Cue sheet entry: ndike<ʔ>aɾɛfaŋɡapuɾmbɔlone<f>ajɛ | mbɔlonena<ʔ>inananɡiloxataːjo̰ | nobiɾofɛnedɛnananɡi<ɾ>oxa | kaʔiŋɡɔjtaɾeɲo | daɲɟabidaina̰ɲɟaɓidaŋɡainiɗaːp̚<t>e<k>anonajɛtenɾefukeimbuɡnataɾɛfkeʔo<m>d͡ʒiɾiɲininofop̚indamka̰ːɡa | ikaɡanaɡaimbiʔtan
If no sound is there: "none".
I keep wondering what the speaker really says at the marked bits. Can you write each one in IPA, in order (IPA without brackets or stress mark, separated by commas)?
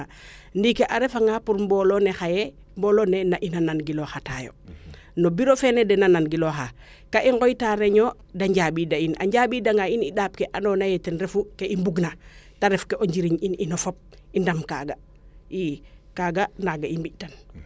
ʔ, x, ʔ, l, k, ʔ, ɲ